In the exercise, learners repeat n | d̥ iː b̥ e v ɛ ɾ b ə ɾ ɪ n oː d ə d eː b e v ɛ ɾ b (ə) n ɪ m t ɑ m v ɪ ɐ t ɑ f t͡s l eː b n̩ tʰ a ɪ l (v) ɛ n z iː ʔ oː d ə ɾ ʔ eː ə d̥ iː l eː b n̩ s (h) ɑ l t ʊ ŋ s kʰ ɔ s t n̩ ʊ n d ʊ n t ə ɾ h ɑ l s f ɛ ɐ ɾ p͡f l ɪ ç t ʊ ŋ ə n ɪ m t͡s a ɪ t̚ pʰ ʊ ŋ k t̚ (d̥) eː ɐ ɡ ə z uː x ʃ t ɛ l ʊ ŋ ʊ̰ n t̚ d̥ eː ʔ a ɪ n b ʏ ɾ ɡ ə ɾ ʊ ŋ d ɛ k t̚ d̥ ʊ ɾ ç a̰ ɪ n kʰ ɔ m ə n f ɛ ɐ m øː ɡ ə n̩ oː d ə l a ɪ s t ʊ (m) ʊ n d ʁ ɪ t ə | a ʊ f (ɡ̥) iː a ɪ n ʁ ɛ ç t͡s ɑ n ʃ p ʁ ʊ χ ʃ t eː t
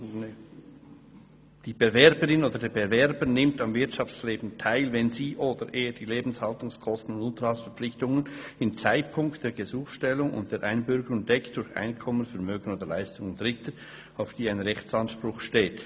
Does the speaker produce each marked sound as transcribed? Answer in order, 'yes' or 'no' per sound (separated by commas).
yes, yes, yes, yes, no, no